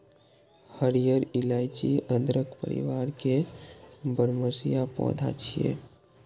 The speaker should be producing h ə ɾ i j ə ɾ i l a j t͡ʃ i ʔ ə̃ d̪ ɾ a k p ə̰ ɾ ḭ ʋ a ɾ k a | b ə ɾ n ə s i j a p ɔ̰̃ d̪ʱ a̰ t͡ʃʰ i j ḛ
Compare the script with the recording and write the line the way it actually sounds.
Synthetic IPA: h ə ɾ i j ə ɾ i l a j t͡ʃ i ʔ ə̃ d̪ ɾ ə k p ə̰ ɾ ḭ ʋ a ɾ k e | b ə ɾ m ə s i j a p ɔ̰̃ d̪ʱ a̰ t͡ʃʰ i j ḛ